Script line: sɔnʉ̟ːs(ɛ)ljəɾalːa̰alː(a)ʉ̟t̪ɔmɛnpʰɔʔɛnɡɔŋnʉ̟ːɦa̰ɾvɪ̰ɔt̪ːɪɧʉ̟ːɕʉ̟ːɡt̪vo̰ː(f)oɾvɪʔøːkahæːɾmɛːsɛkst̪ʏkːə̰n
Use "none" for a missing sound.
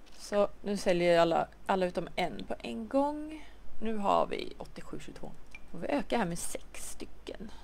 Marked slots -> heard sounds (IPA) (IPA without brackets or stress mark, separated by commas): ɛ, a, f